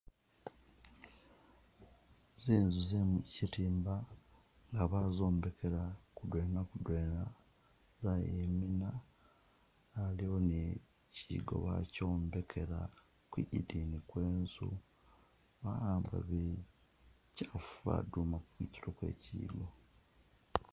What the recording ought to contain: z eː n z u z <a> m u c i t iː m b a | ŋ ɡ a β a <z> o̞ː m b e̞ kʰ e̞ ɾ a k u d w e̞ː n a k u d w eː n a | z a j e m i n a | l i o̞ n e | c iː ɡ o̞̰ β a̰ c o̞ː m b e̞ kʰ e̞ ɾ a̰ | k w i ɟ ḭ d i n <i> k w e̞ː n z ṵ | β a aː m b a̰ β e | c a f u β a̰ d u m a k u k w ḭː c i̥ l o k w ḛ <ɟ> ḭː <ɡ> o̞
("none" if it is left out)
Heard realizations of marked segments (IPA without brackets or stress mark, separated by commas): e, z, i, c, ɡ